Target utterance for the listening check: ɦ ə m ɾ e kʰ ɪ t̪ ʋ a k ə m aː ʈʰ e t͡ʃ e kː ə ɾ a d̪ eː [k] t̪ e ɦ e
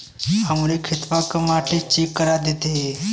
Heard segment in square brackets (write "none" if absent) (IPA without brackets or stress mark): none